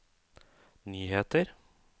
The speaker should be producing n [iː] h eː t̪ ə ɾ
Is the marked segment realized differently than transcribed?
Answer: yes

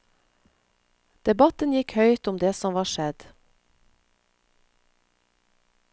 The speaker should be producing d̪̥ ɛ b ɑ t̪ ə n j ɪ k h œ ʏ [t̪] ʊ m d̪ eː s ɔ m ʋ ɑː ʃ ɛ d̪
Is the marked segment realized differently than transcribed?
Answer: no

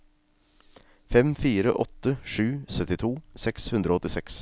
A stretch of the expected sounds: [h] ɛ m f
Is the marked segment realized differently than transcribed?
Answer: yes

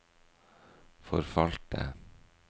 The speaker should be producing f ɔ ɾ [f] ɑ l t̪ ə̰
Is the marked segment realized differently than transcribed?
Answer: no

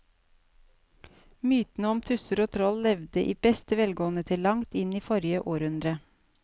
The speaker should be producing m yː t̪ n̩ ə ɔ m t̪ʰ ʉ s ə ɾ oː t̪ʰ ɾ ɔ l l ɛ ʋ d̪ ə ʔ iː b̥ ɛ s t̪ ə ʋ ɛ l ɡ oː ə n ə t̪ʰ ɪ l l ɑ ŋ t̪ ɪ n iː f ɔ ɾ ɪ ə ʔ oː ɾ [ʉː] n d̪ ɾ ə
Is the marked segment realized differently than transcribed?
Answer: yes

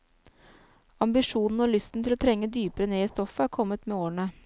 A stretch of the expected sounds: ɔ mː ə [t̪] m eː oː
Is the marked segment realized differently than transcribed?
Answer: no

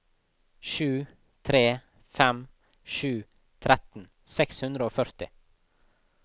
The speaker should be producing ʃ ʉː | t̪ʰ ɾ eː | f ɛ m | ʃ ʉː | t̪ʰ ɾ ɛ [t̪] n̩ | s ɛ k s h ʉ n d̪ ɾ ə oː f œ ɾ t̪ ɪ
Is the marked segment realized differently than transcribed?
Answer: no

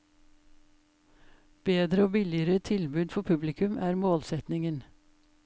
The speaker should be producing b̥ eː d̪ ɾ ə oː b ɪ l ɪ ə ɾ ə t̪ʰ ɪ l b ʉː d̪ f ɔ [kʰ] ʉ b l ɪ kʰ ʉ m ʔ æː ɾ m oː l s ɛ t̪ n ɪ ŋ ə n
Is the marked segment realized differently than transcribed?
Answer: yes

